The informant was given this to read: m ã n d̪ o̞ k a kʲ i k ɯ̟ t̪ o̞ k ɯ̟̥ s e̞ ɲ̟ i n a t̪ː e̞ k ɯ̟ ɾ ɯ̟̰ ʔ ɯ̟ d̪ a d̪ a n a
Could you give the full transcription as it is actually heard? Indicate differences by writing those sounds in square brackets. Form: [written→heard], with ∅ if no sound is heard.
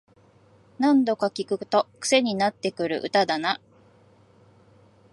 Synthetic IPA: [m→n] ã n d̪ o̞ k a kʲ i k ɯ̟ t̪ o̞ k ɯ̟̥ s e̞ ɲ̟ i n a t̪ː e̞ k ɯ̟ ɾ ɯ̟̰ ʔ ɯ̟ [d̪→t̪] a d̪ a n a